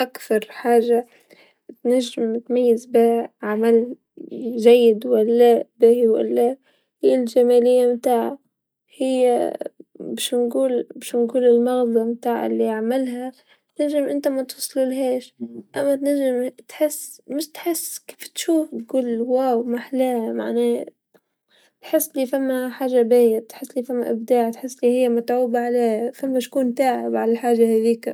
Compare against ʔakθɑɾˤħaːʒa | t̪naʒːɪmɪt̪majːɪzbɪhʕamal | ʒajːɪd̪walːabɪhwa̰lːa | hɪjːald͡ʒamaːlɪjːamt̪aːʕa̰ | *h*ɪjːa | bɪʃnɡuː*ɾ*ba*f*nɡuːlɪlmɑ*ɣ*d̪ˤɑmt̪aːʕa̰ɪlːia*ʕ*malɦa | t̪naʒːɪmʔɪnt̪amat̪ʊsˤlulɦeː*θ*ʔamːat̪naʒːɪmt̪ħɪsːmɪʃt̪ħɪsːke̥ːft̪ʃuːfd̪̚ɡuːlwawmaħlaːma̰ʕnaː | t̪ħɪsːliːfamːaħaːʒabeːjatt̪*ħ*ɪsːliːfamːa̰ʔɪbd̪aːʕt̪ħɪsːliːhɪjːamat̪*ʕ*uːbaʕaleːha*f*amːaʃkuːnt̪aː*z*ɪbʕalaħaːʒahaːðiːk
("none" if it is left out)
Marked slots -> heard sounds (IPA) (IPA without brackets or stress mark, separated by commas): h, l, ʃ, ɣ, ʕ, ʃ, ħ, ʕ, f, ʕ